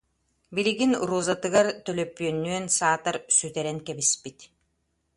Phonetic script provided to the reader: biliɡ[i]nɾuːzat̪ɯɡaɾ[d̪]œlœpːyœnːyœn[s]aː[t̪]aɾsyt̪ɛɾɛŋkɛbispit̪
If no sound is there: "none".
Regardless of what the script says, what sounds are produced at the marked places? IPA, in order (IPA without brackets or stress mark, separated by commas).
i, t̪, s, t̪